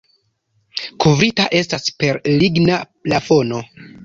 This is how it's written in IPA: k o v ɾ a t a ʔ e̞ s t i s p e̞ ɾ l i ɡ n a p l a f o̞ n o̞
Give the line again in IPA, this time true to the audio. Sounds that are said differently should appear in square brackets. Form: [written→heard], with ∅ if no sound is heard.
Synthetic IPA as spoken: k [o→u] v ɾ [a→i] t a ʔ e̞ s t [i→a] s p e̞ ɾ l i ɡ n a p l a f o̞ n o̞